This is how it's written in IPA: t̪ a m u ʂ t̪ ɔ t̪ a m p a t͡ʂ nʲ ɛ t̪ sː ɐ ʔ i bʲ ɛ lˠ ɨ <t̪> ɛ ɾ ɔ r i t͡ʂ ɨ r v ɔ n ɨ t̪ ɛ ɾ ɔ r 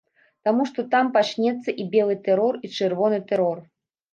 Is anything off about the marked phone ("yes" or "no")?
no